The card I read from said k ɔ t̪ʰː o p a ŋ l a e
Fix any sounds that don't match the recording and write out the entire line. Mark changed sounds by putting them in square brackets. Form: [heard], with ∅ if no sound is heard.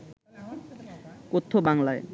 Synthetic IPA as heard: k [o] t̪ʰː o [b] a ŋ l a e